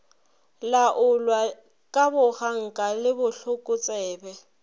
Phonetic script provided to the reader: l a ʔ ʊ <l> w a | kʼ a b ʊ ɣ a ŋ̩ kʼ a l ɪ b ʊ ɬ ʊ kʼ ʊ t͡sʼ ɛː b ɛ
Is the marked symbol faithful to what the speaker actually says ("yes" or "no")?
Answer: yes